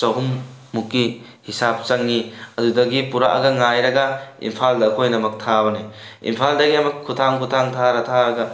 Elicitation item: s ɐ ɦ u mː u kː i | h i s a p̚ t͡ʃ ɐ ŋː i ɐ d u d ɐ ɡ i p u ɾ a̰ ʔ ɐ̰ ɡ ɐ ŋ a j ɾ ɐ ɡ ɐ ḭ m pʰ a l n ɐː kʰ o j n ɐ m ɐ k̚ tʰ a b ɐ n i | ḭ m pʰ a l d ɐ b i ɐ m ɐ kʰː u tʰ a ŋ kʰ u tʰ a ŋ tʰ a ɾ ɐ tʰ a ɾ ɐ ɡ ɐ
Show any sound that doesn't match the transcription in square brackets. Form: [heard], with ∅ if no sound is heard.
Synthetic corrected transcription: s ɐ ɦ u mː u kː i | h i s a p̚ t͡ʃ ɐ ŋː i ɐ d u d ɐ ɡ i p u ɾ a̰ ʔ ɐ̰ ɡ ɐ ŋ a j ɾ ɐ ɡ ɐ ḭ m pʰ a l [d] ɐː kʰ o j n ɐ m ɐ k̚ tʰ a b ɐ n i | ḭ m pʰ a l d ɐ [ɡ] i ɐ m ɐ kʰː u tʰ a ŋ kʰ u tʰ a ŋ tʰ a ɾ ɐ tʰ a ɾ ɐ ɡ ɐ